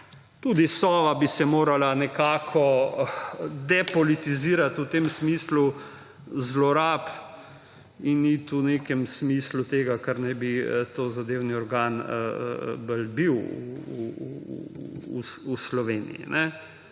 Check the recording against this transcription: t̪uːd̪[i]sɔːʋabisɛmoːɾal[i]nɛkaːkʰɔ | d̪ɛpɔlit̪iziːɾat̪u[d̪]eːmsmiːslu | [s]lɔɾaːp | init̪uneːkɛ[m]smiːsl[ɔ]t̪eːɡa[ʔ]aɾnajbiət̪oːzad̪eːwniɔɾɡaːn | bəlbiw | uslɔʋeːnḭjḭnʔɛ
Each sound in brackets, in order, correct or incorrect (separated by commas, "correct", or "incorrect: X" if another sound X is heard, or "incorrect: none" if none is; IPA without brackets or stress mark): correct, incorrect: a, incorrect: t̪, incorrect: z, correct, incorrect: u, incorrect: k